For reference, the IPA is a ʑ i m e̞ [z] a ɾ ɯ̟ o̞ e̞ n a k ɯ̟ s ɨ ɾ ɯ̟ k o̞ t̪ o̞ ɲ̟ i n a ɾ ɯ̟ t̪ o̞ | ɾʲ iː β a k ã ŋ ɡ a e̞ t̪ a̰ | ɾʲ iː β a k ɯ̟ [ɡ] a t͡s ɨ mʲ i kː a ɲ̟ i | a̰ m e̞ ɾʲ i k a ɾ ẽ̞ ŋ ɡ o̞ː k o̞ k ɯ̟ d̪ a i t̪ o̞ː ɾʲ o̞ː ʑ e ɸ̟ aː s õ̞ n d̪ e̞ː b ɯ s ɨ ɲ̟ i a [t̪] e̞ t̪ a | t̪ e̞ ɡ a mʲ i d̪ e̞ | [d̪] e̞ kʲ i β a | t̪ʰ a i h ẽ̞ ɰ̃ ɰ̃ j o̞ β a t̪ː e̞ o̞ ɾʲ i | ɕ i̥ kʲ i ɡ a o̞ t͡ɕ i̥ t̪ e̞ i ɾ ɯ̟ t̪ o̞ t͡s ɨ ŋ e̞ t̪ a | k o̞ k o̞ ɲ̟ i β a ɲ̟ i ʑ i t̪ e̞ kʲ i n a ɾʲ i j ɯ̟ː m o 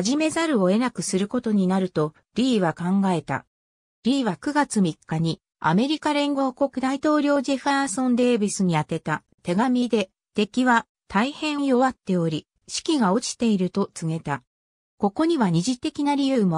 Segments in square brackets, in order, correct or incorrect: correct, correct, correct, incorrect: t̪

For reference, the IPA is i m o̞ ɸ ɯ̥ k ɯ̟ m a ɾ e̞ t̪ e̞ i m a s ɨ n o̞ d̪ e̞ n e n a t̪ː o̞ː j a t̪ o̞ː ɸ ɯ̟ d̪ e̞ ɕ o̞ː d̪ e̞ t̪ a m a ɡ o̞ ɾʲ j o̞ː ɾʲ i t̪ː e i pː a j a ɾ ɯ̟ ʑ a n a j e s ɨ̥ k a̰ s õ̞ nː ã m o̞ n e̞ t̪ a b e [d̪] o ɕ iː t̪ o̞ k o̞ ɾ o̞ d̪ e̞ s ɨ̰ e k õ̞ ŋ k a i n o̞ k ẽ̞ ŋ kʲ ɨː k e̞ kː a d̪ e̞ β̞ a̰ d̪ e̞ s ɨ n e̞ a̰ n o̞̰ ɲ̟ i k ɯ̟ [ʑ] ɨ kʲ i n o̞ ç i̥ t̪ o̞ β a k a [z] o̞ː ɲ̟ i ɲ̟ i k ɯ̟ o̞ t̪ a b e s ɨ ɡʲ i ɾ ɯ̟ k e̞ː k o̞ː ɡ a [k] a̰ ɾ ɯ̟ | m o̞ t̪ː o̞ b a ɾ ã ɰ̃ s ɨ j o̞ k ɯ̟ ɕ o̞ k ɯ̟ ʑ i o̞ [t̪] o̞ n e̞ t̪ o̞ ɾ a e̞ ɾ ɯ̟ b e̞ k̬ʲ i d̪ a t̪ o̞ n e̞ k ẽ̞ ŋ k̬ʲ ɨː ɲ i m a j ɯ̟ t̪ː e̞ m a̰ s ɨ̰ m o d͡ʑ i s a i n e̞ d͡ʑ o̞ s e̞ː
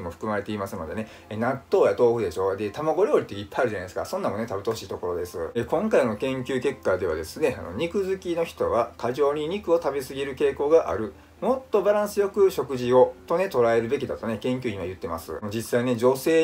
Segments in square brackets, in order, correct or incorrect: incorrect: t̪, incorrect: z, incorrect: ʑ, incorrect: ʔ, correct

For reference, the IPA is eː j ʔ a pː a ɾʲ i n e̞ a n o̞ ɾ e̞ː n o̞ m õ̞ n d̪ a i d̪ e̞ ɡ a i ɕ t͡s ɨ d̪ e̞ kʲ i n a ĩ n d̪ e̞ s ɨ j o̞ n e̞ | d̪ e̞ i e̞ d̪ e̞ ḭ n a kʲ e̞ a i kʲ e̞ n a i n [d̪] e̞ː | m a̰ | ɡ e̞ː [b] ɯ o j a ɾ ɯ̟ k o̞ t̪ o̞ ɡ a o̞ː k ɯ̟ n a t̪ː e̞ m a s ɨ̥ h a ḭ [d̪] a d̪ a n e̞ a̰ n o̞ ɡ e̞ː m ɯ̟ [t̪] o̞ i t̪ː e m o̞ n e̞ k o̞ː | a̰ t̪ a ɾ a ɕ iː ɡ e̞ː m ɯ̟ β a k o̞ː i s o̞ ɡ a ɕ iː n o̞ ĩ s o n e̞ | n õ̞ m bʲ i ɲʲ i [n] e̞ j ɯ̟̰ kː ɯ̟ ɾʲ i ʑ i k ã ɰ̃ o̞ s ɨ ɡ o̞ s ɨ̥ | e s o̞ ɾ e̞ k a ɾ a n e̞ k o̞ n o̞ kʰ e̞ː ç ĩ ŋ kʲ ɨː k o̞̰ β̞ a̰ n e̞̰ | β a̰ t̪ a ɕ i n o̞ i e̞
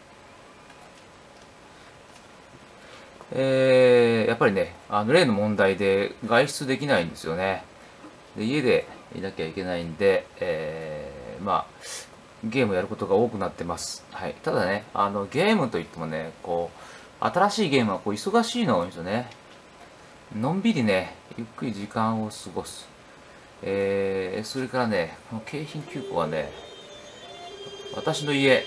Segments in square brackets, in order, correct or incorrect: correct, incorrect: m, incorrect: t̪, correct, correct

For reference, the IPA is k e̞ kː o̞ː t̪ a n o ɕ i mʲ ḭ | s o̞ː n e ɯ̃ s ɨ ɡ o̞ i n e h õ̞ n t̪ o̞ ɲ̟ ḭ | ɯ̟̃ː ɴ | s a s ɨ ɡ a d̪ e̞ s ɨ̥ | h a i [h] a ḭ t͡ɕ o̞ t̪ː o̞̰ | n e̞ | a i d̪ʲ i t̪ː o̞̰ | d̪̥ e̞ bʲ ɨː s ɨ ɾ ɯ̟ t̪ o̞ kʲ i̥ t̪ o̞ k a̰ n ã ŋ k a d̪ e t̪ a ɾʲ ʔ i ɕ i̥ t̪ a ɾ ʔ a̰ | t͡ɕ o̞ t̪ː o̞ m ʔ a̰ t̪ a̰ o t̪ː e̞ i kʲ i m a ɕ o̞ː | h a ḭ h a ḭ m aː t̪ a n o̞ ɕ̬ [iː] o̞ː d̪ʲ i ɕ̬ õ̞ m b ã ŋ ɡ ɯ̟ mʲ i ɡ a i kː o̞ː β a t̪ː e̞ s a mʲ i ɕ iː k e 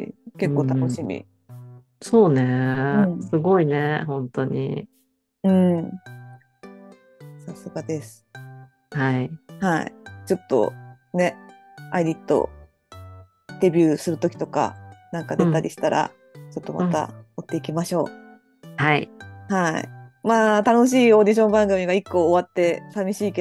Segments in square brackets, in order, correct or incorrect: correct, correct

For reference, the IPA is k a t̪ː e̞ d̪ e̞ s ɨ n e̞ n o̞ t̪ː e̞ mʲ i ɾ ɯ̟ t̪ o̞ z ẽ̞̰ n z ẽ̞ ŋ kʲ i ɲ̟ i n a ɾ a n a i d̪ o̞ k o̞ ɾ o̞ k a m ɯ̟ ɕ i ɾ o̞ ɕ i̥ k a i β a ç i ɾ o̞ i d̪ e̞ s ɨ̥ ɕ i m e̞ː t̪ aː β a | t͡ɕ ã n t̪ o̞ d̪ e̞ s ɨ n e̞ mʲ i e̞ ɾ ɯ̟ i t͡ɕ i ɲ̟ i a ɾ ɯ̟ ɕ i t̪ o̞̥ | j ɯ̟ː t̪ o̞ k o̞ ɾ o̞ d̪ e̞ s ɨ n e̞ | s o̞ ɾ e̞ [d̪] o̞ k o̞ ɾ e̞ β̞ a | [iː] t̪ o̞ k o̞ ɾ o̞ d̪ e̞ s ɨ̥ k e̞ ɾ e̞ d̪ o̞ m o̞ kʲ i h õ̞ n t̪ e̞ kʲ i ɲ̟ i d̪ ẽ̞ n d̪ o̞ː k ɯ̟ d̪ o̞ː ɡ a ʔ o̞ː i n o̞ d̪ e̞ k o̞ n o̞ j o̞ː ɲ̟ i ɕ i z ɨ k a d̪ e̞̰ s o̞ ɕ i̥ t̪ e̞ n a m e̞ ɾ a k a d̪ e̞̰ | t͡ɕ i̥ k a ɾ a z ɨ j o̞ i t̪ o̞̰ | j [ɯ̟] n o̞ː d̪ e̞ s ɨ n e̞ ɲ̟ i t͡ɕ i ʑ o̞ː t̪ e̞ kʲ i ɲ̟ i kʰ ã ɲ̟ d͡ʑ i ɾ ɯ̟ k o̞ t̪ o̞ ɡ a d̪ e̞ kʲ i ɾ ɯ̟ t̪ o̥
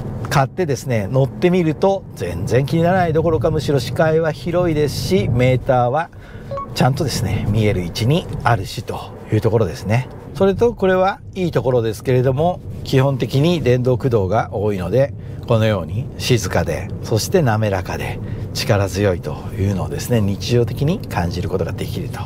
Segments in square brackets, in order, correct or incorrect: incorrect: t̪, correct, incorrect: ɯ̟ː

